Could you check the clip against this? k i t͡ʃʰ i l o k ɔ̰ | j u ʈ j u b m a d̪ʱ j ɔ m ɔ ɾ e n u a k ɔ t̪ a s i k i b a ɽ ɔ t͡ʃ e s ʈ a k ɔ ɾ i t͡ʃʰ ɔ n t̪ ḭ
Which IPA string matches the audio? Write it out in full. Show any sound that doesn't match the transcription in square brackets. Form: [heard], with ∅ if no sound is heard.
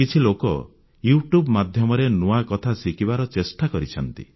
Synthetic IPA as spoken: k i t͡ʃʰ i l o k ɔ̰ | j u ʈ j u b m a d̪ʱ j ɔ m ɔ ɾ e n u a k ɔ [t̪ʰ] a s i k i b a [ɾ] ɔ t͡ʃ e s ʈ a k ɔ ɾ i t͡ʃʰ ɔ n t̪ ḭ

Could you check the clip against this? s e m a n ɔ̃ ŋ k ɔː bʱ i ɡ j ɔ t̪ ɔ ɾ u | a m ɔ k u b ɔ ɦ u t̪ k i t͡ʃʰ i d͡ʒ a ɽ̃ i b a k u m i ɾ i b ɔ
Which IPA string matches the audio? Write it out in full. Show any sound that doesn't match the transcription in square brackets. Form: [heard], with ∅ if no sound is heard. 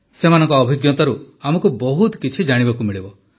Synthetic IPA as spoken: s e m a n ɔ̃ ŋ k ɔː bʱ i ɡ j ɔ t̪ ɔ ɾ u | a m ɔ k u b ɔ ɦ u t̪ k i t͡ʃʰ i d͡ʒ a ɽ̃ i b a k u m i [ɭ] i b ɔ

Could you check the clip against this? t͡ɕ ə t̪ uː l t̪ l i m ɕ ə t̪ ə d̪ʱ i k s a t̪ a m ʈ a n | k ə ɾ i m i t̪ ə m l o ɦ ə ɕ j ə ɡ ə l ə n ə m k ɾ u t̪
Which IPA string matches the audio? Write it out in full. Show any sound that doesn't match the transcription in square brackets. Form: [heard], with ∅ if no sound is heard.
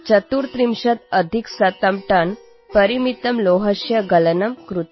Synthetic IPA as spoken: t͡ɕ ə t̪ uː [ɾ] t̪ [ɾ] i m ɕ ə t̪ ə d̪ʱ i k s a t̪ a m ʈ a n | [p] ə ɾ i m i t̪ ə m l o ɦ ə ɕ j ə ɡ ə l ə n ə m k ɾ u t̪

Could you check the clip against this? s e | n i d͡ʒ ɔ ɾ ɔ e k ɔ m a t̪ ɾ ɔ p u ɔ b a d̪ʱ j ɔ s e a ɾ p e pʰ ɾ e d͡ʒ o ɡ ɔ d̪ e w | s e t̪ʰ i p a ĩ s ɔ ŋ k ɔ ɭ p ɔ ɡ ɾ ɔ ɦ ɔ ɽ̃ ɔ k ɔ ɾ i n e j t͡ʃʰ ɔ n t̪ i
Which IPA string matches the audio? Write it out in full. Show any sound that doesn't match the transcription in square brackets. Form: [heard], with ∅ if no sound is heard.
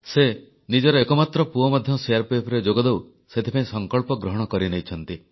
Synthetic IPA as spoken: s e | n i d͡ʒ ɔ ɾ ɔ e k ɔ m a t̪ ɾ ɔ p u ɔ [m] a d̪ʱ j ɔ s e a ɾ p e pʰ ɾ e d͡ʒ o ɡ ɔ d̪ e w | s e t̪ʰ i p a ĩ s ɔ ŋ k ɔ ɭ p ɔ ɡ ɾ ɔ ɦ ɔ ɽ̃ ɔ k ɔ ɾ i n e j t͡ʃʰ ɔ n t̪ i

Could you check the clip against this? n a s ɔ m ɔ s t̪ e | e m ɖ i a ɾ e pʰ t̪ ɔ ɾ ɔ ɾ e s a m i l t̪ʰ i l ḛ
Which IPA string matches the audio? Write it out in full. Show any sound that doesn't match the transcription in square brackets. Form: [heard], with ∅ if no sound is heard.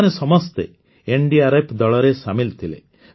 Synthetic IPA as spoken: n [e] s ɔ m ɔ s t̪ e | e [ɳ] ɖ i a ɾ e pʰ [d̪] ɔ [ɭ] ɔ ɾ e s a m i l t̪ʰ i l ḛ

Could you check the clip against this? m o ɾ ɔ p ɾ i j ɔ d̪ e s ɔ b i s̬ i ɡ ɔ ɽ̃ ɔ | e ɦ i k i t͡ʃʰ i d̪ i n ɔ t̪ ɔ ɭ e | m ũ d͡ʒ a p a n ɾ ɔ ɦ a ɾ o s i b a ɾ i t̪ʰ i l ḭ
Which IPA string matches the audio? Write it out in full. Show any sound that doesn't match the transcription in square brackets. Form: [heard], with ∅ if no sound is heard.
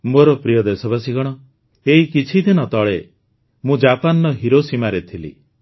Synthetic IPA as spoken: m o ɾ ɔ p ɾ i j ɔ d̪ e s ɔ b [a] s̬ i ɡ ɔ ɽ̃ ɔ | e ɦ i k i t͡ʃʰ i d̪ i n ɔ t̪ ɔ ɭ e | m ũ d͡ʒ a p a n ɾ ɔ ɦ [i] ɾ o s i [m] a ɾ [e] t̪ʰ i l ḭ

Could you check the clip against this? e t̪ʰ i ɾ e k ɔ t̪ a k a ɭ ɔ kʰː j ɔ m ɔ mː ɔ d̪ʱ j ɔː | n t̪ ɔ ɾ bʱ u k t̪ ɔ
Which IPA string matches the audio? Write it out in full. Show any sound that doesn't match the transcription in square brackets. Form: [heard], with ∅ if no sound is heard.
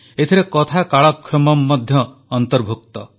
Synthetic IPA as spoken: e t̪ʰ i ɾ e k ɔ [t̪ʰ] a k a ɭ ɔ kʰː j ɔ m ɔ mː ɔ d̪ʱ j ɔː | n t̪ ɔ ɾ bʱ u k t̪ ɔ

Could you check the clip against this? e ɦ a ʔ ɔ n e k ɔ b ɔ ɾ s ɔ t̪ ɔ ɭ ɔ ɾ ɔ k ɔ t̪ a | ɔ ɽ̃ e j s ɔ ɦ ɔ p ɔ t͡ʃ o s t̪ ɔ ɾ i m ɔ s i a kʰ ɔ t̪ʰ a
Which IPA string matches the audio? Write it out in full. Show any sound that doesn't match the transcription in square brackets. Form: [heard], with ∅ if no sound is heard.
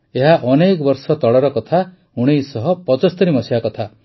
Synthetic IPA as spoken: e ɦ a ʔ ɔ n e k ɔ b ɔ ɾ s ɔ t̪ ɔ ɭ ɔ ɾ ɔ k ɔ [t̪ʰ] a | [u] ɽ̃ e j s ɔ ɦ ɔ p ɔ t͡ʃ [ɔ] s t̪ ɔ ɾ i m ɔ s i a [k] ɔ t̪ʰ a

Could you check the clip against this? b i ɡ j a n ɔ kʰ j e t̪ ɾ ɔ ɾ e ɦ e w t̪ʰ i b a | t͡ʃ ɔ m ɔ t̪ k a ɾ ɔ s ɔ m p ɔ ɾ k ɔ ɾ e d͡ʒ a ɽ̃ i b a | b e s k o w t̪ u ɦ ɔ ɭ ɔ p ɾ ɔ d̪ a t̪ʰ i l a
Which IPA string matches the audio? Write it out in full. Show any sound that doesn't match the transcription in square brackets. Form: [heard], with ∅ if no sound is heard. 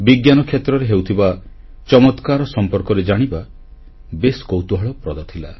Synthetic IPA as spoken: b i ɡ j a n ɔ kʰ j e t̪ ɾ ɔ ɾ e ɦ e w t̪ʰ i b a | t͡ʃ ɔ m ɔ t̪ k a ɾ ɔ s ɔ m p ɔ ɾ k ɔ ɾ e d͡ʒ a ɽ̃ i b a | b e s k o w t̪ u ɦ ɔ ɭ ɔ p ɾ ɔ d̪ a t̪ʰ i l a

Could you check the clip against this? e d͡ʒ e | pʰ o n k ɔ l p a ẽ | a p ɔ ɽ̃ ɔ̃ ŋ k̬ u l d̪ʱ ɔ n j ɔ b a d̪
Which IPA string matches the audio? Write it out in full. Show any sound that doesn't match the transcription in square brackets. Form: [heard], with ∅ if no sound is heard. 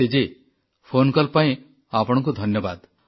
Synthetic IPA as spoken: e d͡ʒ e | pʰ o n k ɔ l p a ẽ | a p ɔ ɽ̃ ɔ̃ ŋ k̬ u [∅] d̪ʱ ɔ n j ɔ b a d̪

